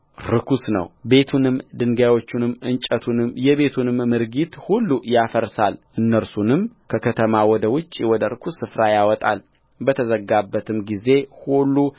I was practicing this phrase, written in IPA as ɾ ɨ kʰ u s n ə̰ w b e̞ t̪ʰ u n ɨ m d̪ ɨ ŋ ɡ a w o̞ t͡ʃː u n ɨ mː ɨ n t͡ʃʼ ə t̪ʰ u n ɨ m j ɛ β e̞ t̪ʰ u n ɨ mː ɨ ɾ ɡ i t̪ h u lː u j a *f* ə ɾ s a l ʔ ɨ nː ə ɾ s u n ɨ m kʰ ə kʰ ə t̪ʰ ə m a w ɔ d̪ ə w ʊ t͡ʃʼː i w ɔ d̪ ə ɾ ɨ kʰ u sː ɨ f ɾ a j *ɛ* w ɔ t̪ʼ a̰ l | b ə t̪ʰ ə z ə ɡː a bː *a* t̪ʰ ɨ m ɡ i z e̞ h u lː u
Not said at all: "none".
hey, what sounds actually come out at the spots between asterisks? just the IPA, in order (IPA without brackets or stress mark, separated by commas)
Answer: f, a, ə